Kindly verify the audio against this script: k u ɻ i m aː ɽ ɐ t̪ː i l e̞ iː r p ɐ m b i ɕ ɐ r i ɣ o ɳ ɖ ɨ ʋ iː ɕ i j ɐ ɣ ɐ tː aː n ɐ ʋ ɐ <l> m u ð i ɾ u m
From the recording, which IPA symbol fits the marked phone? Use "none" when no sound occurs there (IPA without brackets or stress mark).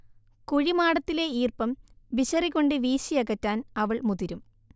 ɭ